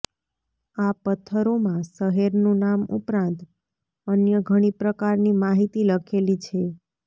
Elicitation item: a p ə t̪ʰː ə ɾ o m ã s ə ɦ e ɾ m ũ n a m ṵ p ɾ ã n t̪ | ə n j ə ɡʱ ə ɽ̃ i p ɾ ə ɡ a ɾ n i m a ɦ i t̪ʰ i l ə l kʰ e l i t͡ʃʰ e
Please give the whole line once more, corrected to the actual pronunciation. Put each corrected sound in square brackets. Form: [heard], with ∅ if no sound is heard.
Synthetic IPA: a p ə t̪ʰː ə ɾ o m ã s ə ɦ e ɾ [n] ũ n a m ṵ p ɾ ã n t̪ | ə n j ə ɡʱ ə ɽ̃ i p ɾ ə [k] a ɾ n i m a ɦ i [t̪] i l ə [∅] kʰ e l i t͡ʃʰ e